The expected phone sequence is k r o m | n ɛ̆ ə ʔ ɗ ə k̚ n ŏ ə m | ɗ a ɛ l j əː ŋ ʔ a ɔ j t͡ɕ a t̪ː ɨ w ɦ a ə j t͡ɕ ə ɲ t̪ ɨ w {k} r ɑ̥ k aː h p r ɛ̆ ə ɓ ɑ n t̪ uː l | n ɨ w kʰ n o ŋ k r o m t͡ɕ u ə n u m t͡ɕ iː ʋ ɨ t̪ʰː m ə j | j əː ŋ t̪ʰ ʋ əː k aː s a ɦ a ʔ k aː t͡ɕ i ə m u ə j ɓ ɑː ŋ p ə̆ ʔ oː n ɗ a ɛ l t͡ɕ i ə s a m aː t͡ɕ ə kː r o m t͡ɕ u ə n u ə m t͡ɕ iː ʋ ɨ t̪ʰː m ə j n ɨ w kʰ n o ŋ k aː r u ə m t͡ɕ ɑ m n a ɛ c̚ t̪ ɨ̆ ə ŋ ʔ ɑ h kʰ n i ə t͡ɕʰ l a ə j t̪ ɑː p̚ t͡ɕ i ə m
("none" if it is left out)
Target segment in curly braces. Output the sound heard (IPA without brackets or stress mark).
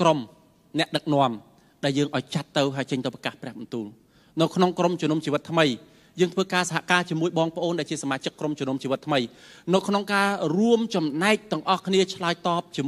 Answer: p